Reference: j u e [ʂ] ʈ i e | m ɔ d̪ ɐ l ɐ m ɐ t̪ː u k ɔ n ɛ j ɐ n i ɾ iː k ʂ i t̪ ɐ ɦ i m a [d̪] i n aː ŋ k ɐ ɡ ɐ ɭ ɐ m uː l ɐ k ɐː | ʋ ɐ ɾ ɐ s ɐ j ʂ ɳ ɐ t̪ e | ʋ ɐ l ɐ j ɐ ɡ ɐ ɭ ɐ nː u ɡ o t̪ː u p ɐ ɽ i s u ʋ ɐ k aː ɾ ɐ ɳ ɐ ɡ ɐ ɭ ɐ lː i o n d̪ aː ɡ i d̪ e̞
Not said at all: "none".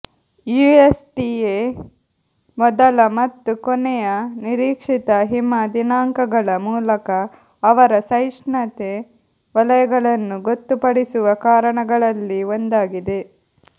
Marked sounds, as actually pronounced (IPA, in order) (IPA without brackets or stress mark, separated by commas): s, d̪